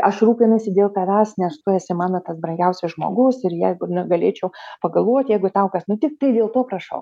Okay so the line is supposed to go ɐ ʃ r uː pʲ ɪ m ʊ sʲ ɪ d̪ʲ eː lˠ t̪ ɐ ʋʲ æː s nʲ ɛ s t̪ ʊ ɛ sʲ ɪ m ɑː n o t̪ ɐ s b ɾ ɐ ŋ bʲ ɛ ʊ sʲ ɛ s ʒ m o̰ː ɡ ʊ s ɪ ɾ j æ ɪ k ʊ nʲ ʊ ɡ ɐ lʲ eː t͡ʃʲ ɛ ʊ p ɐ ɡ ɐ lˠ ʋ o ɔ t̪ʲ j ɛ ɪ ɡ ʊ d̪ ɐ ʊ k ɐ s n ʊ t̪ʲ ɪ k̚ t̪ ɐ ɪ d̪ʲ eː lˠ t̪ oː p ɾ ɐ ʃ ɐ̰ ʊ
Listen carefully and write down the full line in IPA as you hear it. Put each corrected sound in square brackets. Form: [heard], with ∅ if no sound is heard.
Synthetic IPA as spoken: ɐ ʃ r uː pʲ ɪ [n] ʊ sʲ ɪ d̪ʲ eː lˠ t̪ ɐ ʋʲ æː s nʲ ɛ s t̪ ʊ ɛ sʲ ɪ m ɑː n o t̪ ɐ s b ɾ ɐ ŋ [ɡʲ] ɛ ʊ sʲ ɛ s ʒ m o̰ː ɡ ʊ s ɪ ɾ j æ ɪ [ɡ] ʊ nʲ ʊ ɡ ɐ lʲ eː t͡ʃʲ ɛ ʊ p ɐ ɡ ɐ lˠ ʋ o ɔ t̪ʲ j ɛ ɪ ɡ ʊ [t̪] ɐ ʊ k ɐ s n ʊ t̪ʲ ɪ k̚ t̪ ɐ ɪ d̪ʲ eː lˠ t̪ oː p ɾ ɐ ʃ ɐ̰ ʊ